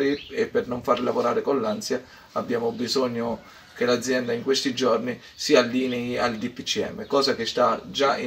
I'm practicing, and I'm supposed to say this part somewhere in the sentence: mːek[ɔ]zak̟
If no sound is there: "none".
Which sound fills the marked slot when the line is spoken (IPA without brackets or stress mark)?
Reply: ɔː